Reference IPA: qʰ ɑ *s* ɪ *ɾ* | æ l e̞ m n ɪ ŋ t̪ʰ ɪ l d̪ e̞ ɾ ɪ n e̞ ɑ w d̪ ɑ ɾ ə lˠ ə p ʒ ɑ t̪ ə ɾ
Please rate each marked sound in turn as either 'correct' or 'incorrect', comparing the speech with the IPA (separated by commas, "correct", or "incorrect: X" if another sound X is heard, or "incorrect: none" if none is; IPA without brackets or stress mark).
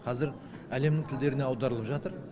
incorrect: z, correct